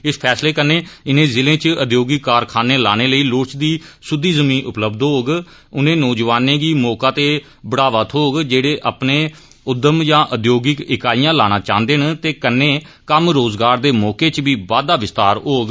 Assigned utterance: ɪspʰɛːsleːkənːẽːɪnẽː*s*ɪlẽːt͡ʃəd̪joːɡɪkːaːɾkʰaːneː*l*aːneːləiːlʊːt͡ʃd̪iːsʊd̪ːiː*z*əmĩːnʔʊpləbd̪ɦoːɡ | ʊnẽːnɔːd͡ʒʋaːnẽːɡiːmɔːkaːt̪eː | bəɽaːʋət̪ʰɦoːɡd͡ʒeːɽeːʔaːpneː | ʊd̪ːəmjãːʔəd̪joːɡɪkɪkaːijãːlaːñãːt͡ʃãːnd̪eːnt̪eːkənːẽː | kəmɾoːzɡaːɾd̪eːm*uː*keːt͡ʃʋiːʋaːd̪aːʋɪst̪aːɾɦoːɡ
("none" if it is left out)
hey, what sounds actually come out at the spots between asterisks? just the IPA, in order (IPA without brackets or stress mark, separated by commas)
z, l, z, ɔː